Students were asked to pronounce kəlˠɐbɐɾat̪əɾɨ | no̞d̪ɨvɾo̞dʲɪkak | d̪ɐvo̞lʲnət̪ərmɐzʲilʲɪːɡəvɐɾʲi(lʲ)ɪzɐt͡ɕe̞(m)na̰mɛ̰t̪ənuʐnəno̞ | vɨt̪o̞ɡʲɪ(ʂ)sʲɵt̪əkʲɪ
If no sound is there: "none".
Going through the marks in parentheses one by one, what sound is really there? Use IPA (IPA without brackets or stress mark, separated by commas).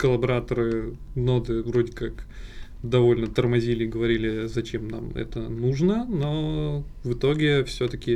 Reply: lʲ, m, f